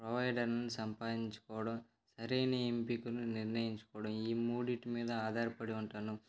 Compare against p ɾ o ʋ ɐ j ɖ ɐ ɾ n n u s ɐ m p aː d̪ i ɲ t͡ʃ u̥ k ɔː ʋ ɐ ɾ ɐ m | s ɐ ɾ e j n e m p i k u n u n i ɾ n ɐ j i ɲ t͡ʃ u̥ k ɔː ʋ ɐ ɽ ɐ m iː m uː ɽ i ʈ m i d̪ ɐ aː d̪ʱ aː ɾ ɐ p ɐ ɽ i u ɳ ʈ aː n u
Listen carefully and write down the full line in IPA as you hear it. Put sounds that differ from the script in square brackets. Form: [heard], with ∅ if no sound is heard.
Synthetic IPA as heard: p ɾ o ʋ ɐ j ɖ ɐ ɾ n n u s ɐ m p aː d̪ i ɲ t͡ʃ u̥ k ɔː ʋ ɐ [ɽ] ɐ m | s ɐ ɾ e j n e m p i k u n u n i ɾ n ɐ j i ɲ t͡ʃ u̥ k ɔː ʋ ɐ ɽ ɐ m iː m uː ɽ i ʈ m [iː] d̪ ɐ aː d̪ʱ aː ɾ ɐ p ɐ ɽ i u ɳ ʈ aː n u